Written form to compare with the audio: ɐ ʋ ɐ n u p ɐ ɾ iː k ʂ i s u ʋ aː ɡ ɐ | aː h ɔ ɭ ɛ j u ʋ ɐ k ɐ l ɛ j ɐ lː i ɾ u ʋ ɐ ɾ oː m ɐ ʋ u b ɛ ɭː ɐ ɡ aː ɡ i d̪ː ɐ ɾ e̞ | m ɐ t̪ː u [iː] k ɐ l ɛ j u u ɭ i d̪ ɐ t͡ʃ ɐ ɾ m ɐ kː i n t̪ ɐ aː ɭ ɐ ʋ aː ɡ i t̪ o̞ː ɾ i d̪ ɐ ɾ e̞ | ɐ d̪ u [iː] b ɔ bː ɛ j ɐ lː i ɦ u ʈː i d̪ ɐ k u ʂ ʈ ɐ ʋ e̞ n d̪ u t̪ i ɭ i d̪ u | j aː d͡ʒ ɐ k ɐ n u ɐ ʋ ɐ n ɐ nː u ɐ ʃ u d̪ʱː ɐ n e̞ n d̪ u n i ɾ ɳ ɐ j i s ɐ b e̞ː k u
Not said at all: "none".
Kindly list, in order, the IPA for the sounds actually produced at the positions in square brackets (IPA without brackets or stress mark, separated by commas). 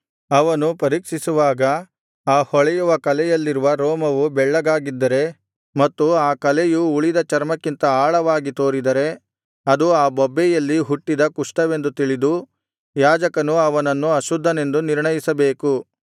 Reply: aː, aː